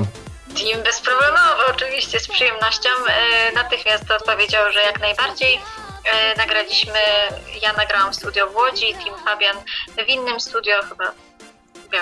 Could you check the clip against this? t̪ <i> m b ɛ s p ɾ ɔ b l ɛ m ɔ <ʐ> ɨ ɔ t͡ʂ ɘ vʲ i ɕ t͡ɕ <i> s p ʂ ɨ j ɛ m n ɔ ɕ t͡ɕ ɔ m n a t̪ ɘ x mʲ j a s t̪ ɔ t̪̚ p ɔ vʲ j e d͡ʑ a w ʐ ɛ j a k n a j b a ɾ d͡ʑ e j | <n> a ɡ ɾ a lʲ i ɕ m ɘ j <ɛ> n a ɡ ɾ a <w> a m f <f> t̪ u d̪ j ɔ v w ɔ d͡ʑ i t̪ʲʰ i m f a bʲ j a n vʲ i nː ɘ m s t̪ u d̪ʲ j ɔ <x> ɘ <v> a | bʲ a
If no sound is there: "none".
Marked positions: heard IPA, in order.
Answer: i, v, ɛ, n, a, w, s, x, b

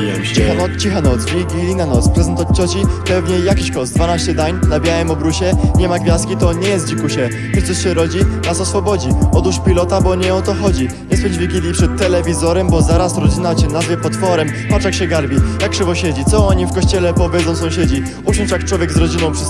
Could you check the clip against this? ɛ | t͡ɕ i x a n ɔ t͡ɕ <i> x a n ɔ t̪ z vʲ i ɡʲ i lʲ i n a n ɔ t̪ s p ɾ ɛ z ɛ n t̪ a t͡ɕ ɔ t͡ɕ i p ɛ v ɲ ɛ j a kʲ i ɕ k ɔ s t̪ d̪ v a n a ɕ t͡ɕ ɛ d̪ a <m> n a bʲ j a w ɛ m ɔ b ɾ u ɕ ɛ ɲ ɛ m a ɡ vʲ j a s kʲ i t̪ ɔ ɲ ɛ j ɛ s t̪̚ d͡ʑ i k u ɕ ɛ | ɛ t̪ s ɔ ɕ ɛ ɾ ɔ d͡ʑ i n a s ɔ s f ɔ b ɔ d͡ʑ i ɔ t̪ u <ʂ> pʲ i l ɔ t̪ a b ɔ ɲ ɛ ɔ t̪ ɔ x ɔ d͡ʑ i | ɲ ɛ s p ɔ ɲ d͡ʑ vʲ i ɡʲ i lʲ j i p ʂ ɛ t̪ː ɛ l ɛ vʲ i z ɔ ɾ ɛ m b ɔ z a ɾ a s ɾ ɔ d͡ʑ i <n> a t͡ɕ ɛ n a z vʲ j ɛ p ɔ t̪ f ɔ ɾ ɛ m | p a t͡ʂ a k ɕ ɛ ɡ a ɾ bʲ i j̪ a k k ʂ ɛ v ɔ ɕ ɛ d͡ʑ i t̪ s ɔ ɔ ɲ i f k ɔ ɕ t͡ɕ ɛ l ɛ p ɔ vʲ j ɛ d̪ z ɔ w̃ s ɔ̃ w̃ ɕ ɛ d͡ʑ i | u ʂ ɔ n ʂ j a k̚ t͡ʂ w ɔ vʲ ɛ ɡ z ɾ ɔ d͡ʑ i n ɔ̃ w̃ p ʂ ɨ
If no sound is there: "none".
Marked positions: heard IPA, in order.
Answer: i, ɲ, ʂ, n

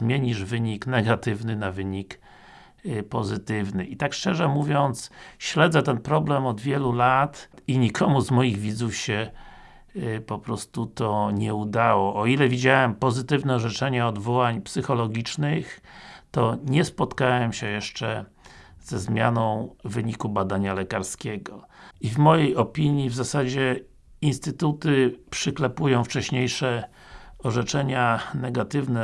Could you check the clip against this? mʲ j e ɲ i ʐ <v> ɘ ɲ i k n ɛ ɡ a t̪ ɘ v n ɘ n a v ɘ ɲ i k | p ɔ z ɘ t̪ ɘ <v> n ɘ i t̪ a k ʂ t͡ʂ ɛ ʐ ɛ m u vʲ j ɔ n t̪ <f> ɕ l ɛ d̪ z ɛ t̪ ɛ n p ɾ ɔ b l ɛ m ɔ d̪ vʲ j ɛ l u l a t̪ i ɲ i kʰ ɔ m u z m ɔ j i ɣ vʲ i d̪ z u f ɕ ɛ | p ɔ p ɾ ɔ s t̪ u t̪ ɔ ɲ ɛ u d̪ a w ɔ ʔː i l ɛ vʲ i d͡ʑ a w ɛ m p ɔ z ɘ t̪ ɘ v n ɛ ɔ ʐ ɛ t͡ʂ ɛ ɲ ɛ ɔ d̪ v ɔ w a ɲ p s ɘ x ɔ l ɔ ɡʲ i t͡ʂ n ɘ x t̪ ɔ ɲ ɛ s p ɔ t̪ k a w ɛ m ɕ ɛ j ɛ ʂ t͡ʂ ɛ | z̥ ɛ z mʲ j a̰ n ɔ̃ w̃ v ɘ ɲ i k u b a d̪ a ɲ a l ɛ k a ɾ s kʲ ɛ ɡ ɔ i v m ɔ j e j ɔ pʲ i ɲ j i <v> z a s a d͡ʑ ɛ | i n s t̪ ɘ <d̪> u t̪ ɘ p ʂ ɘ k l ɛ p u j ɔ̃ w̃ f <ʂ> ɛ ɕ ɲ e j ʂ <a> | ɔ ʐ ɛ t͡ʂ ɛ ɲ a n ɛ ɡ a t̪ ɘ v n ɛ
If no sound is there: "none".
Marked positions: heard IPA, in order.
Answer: v, v, s, v, t̪, t͡ʂ, ɛ

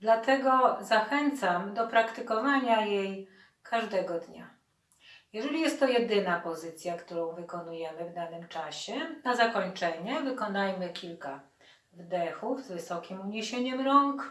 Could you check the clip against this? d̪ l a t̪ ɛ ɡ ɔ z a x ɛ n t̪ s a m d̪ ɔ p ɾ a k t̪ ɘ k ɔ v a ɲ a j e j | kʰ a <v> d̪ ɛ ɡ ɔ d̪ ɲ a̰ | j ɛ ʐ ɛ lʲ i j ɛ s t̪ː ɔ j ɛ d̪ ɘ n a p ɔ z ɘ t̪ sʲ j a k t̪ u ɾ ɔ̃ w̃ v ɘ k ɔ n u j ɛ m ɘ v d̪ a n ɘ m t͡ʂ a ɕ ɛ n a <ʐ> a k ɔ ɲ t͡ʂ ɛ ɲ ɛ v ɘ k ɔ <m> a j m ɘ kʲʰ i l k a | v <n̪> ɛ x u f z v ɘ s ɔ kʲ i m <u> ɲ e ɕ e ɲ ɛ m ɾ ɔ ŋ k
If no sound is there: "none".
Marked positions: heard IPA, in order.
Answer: ʐ, z, n, d̪, u

